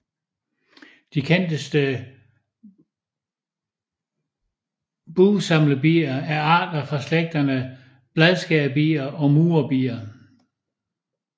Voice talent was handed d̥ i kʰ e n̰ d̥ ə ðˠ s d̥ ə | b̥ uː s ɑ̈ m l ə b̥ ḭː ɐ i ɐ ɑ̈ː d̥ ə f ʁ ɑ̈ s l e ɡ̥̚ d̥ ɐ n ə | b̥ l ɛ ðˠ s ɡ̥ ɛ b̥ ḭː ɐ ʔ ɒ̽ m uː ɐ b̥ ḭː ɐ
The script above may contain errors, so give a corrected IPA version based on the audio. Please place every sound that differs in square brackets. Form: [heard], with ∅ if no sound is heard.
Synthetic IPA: d̥ i kʰ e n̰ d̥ ə [∅] s d̥ ə | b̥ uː s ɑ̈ m l ə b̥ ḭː ɐ [æ] ɐ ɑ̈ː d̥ [ɐ] f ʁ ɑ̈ s l e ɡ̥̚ d̥ ɐ n ə | b̥ l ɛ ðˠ s ɡ̥ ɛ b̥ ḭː ɐ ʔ ɒ̽ m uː ɐ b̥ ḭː ɐ